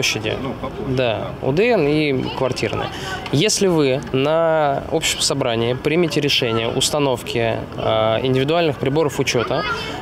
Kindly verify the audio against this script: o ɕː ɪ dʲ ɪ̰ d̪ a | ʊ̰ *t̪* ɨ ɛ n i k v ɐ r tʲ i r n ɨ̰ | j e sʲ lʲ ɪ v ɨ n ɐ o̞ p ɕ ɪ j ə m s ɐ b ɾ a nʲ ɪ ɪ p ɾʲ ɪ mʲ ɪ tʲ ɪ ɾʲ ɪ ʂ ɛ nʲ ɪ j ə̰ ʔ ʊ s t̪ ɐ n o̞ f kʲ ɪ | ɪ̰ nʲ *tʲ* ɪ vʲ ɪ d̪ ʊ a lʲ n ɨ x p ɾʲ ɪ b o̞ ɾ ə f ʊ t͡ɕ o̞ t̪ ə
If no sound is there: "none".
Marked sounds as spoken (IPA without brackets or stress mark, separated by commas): d̪, dʲ